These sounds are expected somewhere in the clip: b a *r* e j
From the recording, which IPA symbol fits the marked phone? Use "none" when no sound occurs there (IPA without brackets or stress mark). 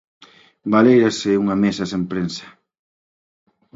l